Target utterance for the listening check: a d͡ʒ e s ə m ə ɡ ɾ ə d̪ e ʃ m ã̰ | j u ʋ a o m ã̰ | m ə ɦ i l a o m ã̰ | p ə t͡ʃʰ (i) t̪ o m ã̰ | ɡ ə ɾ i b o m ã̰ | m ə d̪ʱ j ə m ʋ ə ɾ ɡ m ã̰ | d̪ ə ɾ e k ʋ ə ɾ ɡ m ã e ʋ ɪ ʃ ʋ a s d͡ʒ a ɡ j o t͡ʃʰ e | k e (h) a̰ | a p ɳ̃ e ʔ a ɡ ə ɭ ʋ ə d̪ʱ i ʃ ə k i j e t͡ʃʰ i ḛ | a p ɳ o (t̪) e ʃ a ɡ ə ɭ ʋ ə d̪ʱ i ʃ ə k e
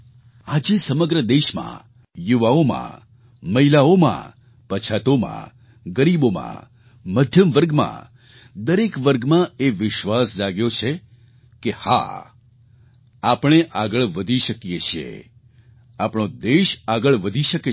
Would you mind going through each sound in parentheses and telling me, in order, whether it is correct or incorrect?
incorrect: a, correct, incorrect: d̪

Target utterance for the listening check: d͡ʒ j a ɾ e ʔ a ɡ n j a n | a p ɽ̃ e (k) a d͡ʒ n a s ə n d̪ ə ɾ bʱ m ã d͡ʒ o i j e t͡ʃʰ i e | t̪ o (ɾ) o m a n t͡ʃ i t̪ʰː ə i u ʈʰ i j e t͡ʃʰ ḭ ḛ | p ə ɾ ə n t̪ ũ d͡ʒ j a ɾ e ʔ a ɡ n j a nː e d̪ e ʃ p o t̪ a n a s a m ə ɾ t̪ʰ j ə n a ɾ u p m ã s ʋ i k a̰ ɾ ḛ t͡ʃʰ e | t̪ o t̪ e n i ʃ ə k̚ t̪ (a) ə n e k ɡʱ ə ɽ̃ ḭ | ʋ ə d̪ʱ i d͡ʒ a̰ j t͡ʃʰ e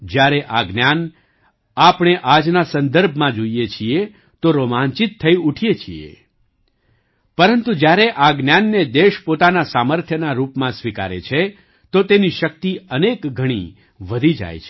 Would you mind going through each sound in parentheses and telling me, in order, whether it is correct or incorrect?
incorrect: ʔ, correct, incorrect: i

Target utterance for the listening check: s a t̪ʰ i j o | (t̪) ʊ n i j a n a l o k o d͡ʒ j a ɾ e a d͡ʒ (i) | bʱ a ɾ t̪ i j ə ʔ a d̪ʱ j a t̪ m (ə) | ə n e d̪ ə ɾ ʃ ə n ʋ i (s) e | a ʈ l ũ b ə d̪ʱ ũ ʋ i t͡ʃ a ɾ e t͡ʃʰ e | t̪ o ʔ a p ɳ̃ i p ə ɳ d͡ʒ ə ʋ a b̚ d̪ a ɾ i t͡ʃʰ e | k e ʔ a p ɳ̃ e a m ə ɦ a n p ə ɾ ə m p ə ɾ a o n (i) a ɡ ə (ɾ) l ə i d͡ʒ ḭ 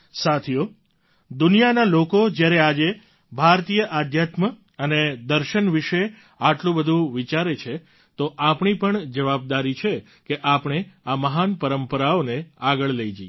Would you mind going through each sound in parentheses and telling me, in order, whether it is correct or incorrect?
incorrect: d̪, incorrect: e, correct, incorrect: ʃ, incorrect: e, incorrect: ɭ

